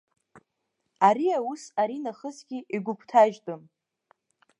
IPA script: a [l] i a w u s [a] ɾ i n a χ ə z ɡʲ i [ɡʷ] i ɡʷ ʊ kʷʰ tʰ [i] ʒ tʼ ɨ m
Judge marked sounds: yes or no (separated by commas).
no, yes, no, no